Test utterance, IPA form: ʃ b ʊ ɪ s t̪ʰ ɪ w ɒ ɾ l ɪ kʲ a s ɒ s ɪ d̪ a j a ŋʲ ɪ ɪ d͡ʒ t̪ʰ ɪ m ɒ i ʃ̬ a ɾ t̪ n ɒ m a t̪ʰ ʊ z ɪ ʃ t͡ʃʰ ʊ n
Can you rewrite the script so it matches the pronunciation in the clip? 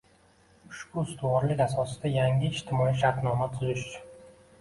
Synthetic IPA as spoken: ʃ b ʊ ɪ s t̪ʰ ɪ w ɒ ɾ l ɪ kʲ a s ɒ s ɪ d̪ a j a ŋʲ ɪ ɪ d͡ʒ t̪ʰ ɪ m ɒ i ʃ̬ a ɾ t̪ n ɒ m a t̪ʰ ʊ z ɪ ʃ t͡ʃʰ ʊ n